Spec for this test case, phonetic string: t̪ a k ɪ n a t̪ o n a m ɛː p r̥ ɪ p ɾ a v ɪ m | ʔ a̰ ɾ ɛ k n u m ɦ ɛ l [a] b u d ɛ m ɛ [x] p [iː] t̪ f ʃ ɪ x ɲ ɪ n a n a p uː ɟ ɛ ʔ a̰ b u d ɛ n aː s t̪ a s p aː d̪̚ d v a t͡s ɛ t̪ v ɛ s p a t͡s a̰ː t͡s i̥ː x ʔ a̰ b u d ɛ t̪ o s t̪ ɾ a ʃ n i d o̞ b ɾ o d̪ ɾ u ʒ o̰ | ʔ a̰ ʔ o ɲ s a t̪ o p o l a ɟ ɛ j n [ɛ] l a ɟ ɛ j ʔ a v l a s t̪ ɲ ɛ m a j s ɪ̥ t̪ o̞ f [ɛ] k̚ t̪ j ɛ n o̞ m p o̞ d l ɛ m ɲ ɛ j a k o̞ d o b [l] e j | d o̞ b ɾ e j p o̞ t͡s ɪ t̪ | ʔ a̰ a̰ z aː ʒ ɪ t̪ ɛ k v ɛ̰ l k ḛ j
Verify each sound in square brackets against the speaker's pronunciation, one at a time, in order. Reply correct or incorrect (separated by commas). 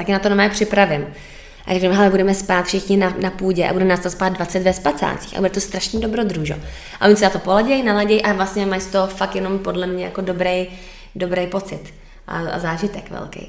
incorrect, incorrect, incorrect, incorrect, incorrect, incorrect